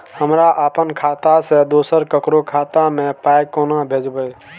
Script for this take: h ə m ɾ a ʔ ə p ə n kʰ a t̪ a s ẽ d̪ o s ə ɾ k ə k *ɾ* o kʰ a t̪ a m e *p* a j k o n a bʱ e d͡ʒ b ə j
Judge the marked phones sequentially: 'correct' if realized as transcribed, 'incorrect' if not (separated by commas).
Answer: correct, correct